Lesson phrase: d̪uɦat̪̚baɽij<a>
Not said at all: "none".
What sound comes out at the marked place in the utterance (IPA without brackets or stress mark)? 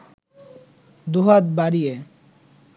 e